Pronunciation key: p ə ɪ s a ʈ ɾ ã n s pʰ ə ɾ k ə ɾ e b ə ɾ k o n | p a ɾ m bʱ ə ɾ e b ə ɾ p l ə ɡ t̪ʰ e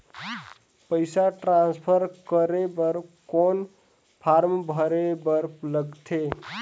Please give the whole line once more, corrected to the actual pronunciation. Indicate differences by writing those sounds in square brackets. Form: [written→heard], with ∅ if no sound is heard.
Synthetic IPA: p ə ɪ s a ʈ ɾ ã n s pʰ ə ɾ k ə ɾ e b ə ɾ k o n | [p→pʰ] a ɾ m bʱ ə ɾ e b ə ɾ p l ə ɡ t̪ʰ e